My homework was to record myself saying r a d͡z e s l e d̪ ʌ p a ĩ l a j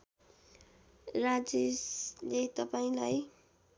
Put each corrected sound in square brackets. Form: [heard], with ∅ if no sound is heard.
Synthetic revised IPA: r a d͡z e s l e [t̪] ʌ p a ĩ l a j

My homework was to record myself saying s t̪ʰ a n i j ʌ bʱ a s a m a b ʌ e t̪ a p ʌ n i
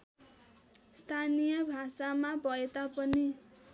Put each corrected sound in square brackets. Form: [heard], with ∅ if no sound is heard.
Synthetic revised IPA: s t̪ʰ a n i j ʌ bʱ a s a m a b ʌ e t̪ a p ʌ n i

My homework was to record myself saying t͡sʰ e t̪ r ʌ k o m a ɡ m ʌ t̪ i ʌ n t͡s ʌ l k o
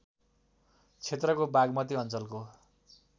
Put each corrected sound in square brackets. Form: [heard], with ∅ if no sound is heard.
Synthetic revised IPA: t͡sʰ e t̪ r ʌ k o [b] a ɡ m ʌ t̪ i ʌ n t͡s ʌ l k o

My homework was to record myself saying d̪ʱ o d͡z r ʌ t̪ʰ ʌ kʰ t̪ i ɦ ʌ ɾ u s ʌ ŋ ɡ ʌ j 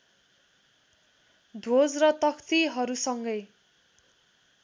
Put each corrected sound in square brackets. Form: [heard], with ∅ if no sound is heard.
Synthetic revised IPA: d̪ʱ o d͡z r ʌ [t̪] ʌ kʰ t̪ i ɦ ʌ ɾ u s ʌ ŋ ɡ ʌ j

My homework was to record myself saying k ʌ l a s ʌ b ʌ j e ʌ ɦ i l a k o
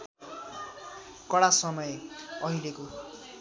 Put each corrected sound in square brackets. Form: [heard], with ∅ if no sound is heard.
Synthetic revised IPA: k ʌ [ɽ] a s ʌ [m] ʌ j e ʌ ɦ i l [e] k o

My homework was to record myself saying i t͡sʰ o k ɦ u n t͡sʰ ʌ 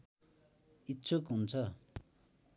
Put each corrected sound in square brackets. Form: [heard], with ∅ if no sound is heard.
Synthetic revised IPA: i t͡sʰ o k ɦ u n t͡sʰ ʌ

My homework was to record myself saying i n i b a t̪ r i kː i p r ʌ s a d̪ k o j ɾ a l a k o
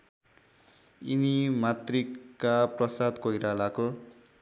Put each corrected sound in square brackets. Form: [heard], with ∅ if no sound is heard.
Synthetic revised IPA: i n i [m] a t̪ r i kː [a] p r ʌ s a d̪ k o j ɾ a l a k o

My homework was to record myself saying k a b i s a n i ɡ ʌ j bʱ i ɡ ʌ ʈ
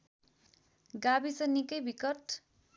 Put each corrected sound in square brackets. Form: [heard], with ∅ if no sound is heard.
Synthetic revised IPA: [ɡ] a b i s [ʌ] n i [k] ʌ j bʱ i [k] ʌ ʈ

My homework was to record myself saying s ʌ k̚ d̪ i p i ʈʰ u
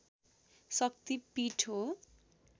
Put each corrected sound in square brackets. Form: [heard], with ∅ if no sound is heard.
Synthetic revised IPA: s ʌ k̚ [t̪] i p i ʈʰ [o]

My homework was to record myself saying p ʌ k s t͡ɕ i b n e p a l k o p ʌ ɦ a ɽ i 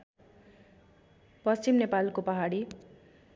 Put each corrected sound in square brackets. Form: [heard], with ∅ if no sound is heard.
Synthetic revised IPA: p ʌ [∅] s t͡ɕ i [m] n e p a l k o p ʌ ɦ a ɽ i

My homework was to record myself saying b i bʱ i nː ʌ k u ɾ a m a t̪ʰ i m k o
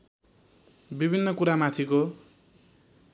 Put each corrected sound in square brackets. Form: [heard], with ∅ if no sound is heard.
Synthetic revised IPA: b i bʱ i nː ʌ k u ɾ a m a t̪ʰ i [∅] k o

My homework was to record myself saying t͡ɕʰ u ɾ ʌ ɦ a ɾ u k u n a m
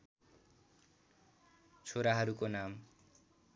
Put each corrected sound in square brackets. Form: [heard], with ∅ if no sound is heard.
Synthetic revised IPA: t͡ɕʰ [o] ɾ [a] ɦ a ɾ u k [o] n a m

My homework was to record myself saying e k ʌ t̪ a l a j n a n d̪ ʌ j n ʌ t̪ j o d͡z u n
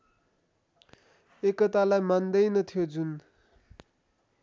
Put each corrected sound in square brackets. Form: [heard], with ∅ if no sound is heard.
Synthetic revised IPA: e k ʌ t̪ a l a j [m] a n d̪ ʌ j n ʌ [t̪ʰ] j o d͡z u n

